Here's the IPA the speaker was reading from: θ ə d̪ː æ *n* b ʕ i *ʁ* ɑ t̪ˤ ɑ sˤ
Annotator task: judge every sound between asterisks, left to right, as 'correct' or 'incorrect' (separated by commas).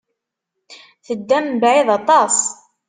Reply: incorrect, incorrect